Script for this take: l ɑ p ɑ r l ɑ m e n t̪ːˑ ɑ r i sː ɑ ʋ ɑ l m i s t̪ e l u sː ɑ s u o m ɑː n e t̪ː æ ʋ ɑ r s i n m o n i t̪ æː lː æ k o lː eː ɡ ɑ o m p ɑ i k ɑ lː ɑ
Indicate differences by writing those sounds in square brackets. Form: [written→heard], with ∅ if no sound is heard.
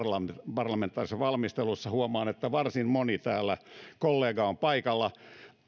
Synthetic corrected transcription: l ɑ p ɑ r l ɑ m e n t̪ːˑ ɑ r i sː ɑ ʋ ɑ l m i s t̪ e l u sː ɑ [s→h] u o m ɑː n e t̪ː æ ʋ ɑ r s i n m o n i t̪ æː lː æ k o lː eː ɡ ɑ o m p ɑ i k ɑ lː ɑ